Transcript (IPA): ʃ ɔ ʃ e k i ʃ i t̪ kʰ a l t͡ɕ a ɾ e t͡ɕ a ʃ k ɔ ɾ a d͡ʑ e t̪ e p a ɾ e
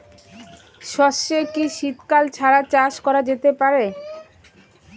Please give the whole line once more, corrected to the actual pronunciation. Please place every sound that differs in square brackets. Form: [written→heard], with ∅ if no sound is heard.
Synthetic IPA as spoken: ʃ ɔ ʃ e k i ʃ i t̪ [kʰ→k] a l [t͡ɕ→t͡ɕʰ] a ɾ [e→a] t͡ɕ a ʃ k ɔ ɾ a d͡ʑ e t̪ e p a ɾ e